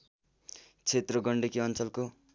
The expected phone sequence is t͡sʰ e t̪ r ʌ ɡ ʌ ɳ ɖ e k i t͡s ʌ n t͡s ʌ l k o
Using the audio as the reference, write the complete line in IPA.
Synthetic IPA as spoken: t͡sʰ e t̪ r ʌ ɡ ʌ ɳ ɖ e k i ʌ n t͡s ʌ l k o

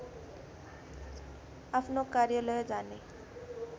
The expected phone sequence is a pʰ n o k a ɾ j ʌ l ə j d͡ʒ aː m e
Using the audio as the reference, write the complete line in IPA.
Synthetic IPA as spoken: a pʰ n o k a ɾ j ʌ l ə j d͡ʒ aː n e

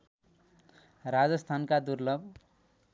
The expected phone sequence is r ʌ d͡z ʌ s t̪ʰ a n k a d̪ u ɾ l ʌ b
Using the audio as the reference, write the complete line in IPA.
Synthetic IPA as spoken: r a d͡z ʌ s t̪ʰ a n k a d̪ u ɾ l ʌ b

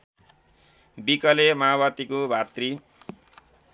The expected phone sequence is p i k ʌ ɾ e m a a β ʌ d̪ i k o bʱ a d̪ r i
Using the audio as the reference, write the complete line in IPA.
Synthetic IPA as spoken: b i k ʌ l e m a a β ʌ t̪ i k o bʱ a t̪ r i

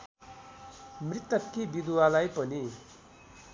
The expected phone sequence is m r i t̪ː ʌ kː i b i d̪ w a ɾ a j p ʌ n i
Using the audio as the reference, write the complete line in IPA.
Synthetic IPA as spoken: m r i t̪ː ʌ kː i b i d̪ w a l a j p ʌ n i

